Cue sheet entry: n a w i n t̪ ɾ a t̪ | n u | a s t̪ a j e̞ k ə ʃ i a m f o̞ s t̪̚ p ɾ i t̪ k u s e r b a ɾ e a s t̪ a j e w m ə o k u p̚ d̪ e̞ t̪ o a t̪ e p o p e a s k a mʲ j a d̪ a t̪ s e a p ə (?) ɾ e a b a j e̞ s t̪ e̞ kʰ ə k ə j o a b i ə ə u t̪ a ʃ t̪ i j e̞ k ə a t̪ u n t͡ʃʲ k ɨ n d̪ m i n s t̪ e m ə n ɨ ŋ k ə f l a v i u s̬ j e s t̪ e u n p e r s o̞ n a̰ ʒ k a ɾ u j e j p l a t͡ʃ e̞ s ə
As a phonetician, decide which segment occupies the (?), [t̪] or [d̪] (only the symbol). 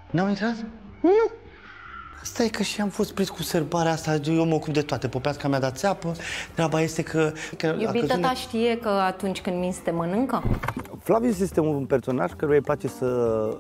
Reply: t̪